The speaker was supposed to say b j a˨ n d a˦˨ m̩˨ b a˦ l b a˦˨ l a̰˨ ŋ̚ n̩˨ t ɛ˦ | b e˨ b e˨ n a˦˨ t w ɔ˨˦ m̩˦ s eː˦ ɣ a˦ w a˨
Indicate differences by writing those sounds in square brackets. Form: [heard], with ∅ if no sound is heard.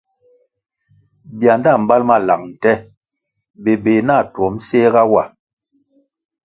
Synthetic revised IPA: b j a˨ n d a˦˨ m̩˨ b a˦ l [m] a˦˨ l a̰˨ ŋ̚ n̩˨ t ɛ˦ | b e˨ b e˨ n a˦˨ t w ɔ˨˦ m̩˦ s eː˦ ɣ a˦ w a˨